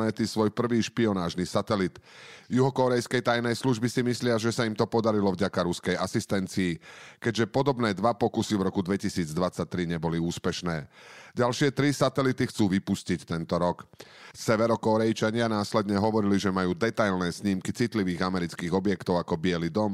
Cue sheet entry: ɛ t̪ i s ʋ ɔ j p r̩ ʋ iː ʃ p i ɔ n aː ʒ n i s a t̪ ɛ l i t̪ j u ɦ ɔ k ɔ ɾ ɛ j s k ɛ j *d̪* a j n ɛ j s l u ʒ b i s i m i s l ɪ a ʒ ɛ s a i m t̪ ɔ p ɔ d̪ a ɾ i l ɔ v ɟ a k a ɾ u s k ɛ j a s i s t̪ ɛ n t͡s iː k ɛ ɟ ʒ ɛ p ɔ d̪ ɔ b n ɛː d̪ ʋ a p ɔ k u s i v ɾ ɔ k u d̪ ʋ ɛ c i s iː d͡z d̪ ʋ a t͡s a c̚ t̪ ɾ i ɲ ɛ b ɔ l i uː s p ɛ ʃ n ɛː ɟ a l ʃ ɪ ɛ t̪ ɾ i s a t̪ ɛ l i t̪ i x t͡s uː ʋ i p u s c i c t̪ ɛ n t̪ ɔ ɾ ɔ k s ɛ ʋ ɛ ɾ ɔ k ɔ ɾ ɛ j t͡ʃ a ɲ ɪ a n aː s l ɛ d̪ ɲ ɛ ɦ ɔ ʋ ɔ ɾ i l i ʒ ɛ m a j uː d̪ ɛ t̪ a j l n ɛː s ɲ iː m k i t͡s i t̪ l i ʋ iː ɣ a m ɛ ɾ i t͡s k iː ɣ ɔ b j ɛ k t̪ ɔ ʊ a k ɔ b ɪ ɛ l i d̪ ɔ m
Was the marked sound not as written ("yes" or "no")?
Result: yes